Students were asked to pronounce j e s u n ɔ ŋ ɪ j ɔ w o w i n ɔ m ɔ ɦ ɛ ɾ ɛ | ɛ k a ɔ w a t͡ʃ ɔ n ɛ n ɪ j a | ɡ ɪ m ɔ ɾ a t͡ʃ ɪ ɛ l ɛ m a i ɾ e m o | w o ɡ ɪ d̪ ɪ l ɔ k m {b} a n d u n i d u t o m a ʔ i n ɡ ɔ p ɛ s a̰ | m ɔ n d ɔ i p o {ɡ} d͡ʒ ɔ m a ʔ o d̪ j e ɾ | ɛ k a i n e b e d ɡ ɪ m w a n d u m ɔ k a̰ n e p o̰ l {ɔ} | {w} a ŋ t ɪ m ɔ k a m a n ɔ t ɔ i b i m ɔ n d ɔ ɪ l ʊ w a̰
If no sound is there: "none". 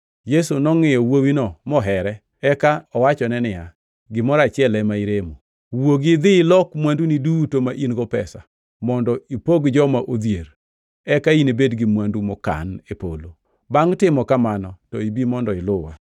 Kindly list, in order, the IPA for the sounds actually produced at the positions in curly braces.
w, ɡ, o, b

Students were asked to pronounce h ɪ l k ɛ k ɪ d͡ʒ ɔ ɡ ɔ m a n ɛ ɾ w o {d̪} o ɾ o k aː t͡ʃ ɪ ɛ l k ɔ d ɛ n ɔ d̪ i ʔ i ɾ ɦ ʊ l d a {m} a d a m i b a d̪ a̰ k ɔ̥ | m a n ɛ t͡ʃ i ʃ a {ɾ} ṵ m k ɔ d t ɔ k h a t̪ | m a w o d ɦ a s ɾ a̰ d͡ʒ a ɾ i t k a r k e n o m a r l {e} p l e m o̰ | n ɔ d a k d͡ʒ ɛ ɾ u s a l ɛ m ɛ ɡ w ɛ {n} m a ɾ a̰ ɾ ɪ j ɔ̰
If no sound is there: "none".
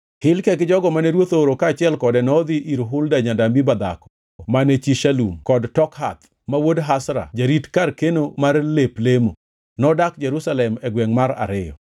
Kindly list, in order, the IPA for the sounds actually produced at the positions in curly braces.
t̪, ɲ, l, e, ŋ

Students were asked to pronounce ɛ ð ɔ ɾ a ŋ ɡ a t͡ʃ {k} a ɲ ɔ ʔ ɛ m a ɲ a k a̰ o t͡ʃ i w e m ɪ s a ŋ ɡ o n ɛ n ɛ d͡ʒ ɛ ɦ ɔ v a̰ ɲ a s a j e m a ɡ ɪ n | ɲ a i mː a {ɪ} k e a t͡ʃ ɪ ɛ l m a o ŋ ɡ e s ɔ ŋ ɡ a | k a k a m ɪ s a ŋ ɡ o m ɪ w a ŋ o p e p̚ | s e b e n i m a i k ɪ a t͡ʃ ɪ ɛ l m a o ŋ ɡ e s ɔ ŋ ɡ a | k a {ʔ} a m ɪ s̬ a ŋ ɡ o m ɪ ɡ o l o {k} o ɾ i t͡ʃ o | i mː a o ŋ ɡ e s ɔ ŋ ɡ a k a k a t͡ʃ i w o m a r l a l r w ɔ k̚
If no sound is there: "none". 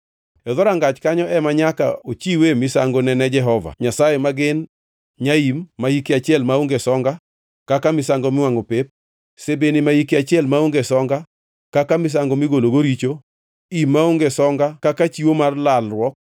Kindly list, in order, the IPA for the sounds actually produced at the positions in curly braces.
k, i, k, ɡ

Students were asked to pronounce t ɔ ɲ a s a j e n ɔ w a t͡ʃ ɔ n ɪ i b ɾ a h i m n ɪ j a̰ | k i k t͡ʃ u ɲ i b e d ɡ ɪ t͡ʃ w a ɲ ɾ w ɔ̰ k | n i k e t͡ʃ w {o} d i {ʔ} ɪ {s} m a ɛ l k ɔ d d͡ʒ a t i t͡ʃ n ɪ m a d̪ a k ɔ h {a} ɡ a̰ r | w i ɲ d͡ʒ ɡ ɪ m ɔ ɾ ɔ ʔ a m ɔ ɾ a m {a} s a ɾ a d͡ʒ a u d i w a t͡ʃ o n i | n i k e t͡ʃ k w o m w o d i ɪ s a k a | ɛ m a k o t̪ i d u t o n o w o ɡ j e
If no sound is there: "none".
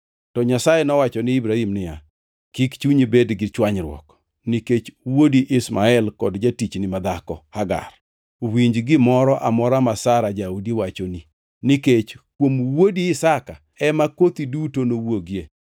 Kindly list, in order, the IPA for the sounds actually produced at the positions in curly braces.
o, ʔ, s, a, a

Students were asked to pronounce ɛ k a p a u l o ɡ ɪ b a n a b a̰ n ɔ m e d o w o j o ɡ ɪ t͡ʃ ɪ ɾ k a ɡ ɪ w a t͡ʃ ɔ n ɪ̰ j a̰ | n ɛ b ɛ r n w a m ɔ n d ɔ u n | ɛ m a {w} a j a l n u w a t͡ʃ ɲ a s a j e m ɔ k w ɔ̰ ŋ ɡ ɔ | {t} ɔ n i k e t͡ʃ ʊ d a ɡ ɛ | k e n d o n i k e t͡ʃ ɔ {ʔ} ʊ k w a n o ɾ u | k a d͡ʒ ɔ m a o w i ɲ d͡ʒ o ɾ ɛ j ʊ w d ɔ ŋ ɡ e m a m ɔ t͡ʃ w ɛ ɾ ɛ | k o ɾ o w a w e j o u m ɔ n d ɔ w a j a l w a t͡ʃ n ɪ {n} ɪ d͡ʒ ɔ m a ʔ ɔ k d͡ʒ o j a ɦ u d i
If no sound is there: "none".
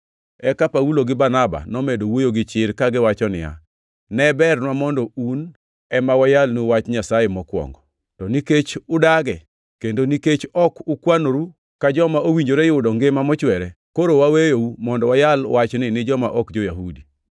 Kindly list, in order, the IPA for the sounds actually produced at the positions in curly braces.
w, t, k, n

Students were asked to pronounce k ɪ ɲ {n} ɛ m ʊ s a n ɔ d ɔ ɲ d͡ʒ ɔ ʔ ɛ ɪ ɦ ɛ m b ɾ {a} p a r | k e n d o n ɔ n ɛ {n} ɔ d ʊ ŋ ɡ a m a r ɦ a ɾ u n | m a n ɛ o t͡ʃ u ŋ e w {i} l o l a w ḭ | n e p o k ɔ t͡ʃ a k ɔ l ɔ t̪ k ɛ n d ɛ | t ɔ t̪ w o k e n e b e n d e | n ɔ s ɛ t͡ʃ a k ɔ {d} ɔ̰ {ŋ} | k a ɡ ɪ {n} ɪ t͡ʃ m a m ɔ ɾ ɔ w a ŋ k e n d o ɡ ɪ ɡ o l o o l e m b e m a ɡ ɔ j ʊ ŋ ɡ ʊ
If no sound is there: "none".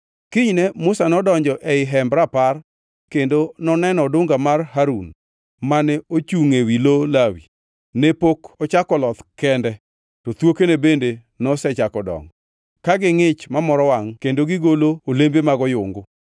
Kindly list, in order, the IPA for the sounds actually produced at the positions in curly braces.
n, a, n, i, d, ŋ, ŋ

